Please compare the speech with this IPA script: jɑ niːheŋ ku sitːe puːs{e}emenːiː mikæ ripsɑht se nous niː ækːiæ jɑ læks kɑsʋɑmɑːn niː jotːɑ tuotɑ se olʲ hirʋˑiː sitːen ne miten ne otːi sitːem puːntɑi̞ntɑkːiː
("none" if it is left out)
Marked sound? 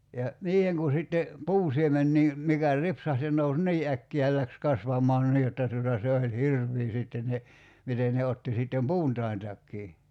i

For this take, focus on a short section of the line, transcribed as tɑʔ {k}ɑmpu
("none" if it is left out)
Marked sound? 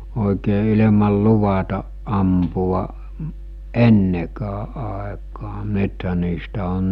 ʔ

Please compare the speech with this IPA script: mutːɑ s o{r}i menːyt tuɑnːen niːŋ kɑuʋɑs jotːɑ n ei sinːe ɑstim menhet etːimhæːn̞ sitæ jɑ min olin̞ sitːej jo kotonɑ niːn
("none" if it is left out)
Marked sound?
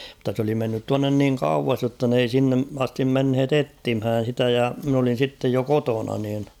l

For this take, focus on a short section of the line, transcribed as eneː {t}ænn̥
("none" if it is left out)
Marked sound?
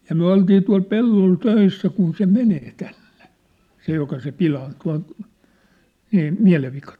t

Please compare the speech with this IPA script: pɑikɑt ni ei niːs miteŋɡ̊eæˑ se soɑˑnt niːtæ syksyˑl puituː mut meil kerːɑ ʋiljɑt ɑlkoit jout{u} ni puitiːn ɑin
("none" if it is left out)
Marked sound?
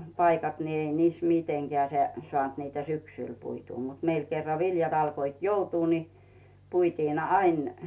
uː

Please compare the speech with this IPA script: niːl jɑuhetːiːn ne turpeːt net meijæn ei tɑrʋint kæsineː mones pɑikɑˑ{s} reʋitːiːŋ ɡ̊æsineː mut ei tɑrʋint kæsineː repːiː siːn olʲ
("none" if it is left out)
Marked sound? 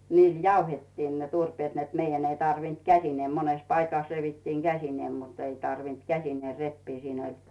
s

